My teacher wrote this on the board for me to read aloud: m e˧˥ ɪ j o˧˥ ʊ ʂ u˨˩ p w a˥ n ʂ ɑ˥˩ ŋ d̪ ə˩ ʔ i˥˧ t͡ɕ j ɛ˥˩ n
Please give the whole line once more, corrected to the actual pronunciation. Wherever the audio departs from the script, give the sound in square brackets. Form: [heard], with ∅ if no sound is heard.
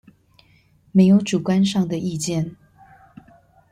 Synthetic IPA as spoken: m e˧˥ ɪ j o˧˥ ʊ [ʈ͡ʂ] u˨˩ [k] w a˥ n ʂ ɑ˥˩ ŋ d̪ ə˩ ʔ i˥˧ t͡ɕ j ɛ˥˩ n